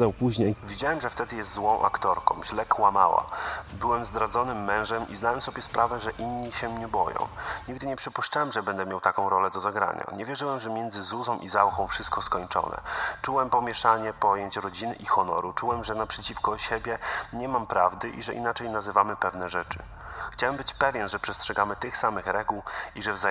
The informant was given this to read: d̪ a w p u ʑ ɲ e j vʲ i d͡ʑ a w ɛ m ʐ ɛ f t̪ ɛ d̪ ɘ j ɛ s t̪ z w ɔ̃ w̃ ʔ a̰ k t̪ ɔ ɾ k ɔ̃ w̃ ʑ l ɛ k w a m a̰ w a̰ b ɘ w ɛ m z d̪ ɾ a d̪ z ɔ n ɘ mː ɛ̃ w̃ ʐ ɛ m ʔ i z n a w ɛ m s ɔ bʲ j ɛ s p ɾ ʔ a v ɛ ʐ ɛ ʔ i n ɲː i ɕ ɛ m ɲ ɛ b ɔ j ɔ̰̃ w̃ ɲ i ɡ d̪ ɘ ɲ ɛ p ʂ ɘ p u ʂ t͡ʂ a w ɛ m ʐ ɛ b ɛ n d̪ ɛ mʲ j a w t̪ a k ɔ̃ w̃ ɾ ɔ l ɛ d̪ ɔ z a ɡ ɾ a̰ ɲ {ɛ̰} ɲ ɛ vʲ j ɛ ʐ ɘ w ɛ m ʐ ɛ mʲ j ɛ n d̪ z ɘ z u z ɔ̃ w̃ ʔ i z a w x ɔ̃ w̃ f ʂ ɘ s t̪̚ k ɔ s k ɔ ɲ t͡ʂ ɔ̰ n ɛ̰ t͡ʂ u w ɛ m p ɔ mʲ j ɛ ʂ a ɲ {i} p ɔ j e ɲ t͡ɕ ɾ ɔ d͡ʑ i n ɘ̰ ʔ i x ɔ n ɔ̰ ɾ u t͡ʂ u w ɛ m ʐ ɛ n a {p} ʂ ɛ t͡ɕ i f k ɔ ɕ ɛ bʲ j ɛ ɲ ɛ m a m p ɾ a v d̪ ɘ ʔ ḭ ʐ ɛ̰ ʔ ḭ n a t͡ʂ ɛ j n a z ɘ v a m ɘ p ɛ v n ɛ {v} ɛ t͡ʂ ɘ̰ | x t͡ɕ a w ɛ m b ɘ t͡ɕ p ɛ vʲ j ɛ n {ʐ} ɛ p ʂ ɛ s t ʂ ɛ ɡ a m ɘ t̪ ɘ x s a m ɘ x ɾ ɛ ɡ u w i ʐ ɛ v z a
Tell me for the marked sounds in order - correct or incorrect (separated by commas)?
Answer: incorrect, incorrect, correct, incorrect, correct